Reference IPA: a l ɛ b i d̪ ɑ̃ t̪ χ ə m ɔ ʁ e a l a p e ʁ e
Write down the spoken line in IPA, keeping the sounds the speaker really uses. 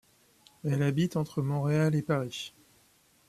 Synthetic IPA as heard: ɛ l a b i t̪ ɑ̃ t̪ χ ə m ɔ̃ ʁ e a l e p a ʁ i